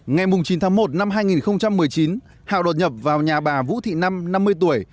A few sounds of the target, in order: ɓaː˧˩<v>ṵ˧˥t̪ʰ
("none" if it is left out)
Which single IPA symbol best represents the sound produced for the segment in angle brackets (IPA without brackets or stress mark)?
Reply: v